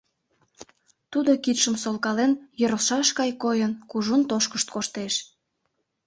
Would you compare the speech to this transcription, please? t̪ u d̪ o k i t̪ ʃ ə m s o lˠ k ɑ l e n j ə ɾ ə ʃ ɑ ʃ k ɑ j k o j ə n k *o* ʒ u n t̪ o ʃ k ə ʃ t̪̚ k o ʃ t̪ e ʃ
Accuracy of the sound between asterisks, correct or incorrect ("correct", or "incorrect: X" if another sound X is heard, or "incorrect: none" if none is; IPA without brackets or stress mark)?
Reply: incorrect: u